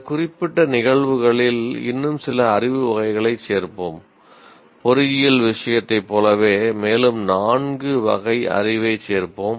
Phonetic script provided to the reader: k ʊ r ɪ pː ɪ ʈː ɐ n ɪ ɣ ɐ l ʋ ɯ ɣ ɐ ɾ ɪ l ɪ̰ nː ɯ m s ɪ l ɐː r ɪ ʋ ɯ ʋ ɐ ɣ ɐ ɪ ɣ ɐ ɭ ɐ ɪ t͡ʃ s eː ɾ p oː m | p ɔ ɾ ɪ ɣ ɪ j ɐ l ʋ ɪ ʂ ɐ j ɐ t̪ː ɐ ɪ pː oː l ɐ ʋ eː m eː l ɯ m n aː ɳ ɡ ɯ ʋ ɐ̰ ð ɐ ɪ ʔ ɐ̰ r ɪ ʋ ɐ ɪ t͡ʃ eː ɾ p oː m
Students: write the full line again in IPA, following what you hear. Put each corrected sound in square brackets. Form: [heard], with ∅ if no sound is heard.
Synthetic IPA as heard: k ʊ r ɪ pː ɪ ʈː ɐ n ɪ ɣ ɐ [ɭ] ʋ ɯ ɣ ɐ [ɭ] ɪ l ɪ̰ nː ɯ m s ɪ l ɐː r ɪ ʋ ɯ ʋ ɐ ɣ ɐ ɪ ɣ ɐ ɭ ɐ ɪ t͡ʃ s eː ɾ p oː m | p ɔ ɾ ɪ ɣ ɪ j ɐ l ʋ ɪ ʂ ɐ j ɐ t̪ː ɐ ɪ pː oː l ɐ ʋ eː m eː l ɯ m n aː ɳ ɡ ɯ ʋ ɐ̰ [ɣ] ɐ ɪ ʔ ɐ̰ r ɪ ʋ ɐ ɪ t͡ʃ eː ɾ p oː m